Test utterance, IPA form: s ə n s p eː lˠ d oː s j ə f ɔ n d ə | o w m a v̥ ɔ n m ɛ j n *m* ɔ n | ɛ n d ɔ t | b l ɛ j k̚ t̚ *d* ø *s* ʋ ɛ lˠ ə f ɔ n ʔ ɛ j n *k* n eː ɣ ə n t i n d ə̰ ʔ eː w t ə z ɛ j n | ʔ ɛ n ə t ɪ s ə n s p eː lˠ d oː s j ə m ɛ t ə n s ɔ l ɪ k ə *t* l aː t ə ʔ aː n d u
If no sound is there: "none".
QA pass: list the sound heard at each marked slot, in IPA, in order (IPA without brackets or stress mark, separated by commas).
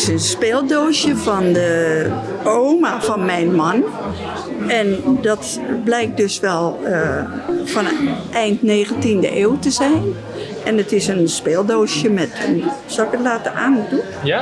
m, d, s, t, t